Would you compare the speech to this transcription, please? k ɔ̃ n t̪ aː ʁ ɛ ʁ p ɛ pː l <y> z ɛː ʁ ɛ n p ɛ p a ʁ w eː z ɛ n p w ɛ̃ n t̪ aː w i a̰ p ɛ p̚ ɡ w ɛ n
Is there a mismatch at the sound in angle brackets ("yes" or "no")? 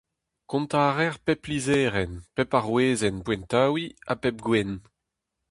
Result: yes